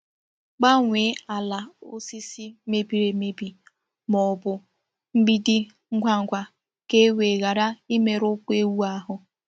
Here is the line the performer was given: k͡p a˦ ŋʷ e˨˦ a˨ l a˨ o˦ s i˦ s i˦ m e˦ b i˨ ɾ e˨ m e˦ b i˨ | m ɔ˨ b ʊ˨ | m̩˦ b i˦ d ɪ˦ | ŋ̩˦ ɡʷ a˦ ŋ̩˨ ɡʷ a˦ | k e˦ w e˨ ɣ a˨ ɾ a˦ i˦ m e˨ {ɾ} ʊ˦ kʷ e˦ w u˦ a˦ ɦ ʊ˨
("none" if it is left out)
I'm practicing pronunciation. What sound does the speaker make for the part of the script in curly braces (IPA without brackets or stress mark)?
ɾ